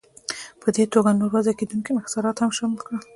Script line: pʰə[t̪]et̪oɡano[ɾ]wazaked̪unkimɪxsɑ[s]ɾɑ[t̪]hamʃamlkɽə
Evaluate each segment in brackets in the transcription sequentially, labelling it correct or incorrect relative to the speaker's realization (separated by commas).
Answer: incorrect, correct, incorrect, correct